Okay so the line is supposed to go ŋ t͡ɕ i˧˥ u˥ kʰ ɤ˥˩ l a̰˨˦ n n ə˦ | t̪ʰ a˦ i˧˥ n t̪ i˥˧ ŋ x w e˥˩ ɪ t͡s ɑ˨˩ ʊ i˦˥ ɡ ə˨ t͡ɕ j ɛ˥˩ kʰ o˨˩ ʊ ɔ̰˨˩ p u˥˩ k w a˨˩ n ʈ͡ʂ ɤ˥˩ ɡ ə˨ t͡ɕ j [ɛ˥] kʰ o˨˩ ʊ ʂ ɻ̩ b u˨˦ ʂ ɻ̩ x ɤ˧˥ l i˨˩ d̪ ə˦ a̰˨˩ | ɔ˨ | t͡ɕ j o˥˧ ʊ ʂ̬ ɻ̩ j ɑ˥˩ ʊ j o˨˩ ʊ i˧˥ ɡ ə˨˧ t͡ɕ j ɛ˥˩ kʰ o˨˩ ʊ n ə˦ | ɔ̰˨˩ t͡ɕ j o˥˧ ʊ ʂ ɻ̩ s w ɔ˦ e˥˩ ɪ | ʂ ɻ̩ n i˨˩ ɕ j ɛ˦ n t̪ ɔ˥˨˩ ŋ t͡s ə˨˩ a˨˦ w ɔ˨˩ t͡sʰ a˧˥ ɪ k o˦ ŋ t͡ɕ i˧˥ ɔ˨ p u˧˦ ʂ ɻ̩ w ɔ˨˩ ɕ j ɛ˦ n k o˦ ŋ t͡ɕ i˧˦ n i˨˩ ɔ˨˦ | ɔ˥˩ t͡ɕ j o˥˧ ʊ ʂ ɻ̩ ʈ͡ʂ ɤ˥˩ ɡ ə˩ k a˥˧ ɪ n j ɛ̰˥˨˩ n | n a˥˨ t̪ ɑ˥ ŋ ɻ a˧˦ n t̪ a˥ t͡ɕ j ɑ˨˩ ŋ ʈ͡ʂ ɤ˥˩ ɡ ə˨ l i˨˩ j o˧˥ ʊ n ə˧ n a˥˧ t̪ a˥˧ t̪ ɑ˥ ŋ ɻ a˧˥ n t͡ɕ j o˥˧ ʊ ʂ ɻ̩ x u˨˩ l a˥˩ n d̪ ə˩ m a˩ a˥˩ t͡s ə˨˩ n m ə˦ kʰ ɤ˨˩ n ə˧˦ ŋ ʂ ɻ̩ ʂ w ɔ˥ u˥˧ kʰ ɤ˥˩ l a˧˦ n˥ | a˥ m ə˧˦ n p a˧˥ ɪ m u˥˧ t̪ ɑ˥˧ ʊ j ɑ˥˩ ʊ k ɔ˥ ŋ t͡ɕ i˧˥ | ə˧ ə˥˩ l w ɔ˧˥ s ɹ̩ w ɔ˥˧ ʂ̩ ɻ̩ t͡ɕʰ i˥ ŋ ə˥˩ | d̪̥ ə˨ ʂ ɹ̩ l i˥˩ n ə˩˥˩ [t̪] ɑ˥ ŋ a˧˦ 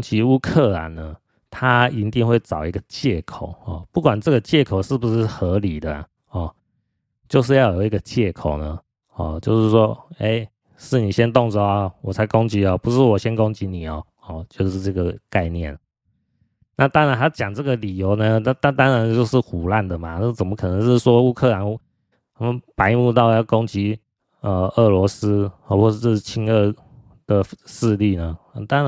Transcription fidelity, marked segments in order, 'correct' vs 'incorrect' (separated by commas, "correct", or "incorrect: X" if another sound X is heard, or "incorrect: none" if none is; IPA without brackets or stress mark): incorrect: ɛ˥˩, correct